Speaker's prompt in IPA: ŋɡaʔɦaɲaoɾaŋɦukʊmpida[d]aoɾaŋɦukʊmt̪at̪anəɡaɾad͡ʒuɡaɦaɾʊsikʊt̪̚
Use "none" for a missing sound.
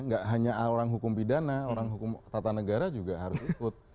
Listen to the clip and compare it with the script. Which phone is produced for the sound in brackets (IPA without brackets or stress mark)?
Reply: n